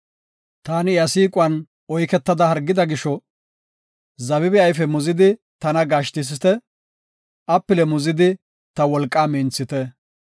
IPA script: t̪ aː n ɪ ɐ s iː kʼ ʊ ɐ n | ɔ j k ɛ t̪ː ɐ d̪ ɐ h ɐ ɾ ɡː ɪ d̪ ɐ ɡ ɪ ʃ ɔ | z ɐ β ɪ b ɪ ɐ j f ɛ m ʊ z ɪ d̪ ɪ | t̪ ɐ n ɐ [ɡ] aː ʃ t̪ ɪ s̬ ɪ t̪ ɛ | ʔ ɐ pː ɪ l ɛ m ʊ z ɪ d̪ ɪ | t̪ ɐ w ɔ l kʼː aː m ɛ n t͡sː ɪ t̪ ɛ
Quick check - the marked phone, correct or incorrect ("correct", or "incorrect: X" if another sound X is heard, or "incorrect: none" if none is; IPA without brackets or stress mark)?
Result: correct